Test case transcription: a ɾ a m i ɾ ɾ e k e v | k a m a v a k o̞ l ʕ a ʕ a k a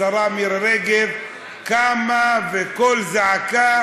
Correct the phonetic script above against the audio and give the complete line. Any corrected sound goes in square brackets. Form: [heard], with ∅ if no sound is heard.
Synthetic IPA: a ɾ a m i ɾ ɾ e [ɡ] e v | k a m a v [e] k o̞ l [z] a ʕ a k a